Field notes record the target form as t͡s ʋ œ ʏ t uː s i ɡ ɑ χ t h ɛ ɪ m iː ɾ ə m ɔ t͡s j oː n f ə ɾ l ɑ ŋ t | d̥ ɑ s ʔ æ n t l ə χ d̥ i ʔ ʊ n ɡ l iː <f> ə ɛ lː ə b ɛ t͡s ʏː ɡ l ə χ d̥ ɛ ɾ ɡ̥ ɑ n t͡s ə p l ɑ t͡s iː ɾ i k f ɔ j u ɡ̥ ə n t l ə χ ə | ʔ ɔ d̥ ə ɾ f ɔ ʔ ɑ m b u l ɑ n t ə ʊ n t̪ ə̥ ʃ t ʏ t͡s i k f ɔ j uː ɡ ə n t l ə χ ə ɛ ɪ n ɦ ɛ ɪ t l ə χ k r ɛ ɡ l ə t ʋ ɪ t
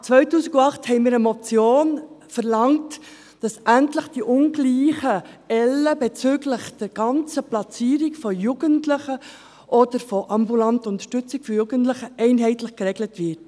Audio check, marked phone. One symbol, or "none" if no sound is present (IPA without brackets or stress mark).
χ